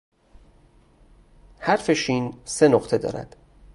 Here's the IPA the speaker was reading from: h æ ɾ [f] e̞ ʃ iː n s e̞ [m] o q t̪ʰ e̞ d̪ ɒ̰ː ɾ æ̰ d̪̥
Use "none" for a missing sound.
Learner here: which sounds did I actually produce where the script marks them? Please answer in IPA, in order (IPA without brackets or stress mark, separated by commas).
f, n